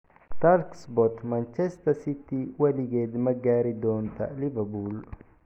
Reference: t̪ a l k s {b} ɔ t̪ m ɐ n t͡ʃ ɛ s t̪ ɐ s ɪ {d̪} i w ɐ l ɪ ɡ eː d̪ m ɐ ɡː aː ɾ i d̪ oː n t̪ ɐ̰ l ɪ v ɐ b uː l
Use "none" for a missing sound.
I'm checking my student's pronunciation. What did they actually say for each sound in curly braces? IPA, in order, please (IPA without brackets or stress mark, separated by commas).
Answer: b, t̪